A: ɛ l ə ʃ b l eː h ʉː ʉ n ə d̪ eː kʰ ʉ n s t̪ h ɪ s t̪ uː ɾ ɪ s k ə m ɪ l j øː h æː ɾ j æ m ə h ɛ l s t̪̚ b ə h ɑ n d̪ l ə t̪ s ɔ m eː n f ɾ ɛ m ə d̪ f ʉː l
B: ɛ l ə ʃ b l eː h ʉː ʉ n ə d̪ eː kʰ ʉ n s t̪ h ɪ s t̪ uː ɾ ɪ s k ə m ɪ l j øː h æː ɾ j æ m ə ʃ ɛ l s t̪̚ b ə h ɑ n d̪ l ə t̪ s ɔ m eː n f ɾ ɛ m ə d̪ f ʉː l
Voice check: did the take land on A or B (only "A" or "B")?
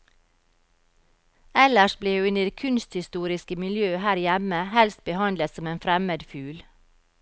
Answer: A